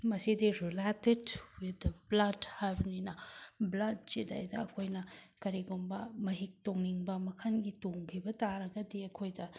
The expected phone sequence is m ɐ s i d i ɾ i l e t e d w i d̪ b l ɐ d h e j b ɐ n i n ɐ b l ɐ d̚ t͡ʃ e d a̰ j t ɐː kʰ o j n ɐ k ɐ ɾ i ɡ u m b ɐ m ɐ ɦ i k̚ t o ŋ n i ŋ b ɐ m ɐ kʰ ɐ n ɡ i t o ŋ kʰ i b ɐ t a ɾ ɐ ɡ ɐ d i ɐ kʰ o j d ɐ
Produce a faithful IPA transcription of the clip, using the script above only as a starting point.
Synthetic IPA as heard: m ɐ s i d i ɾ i l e t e d w i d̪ b l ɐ d h a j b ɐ n i n ɐ b l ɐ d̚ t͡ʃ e d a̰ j d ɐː kʰ o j n ɐ k ɐ ɾ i ɡ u m b ɐ m ɐ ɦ i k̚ t o ŋ n i ŋ b ɐ m ɐ kʰ ɐ n ɡ i t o ŋ kʰ i b ɐ t a ɾ ɐ ɡ ɐ d i ɐ kʰ o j d ɐ